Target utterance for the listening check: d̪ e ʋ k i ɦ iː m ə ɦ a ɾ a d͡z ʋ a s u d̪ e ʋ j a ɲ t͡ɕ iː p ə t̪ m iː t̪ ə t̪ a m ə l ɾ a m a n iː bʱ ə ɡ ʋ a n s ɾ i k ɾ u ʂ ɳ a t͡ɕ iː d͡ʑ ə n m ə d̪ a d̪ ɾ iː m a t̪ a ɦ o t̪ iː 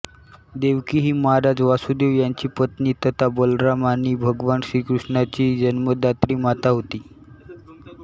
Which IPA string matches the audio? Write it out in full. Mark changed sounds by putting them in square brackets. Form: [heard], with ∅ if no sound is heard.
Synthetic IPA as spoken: d̪ e ʋ k i ɦ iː m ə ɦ a ɾ a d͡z ʋ a s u d̪ e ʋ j a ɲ t͡ɕ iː p ə t̪ [n] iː t̪ ə t̪ a [b] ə l ɾ a m a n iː bʱ ə ɡ ʋ a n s ɾ i k ɾ u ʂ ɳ a t͡ɕ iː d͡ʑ ə n m ə d̪ a [t̪] ɾ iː m a t̪ a ɦ o t̪ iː